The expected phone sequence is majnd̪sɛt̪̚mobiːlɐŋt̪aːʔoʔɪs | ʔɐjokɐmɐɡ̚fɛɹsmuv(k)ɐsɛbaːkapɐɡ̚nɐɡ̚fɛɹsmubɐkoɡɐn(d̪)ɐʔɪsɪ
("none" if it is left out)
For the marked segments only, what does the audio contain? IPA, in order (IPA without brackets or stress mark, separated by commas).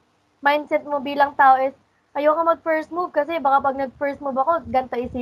k, t̪